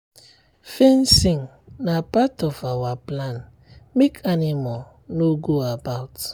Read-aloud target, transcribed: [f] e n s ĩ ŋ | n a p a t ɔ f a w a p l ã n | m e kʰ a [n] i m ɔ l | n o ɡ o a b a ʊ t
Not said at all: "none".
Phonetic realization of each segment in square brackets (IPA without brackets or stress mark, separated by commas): f, n